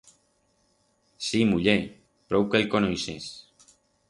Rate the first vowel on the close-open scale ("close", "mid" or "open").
close